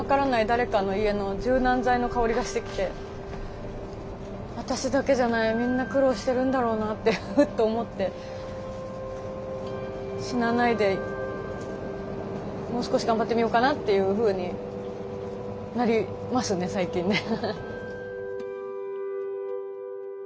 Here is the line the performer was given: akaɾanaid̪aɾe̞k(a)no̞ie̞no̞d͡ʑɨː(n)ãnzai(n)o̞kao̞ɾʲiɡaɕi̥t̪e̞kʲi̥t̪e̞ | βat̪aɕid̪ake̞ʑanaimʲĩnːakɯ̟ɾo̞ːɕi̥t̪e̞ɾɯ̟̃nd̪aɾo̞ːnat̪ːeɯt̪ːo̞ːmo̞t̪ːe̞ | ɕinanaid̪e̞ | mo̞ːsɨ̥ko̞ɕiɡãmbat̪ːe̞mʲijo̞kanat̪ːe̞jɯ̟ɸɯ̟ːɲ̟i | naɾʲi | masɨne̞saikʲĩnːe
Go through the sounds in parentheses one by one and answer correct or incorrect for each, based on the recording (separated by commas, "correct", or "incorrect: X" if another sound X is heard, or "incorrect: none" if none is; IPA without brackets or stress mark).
correct, correct, correct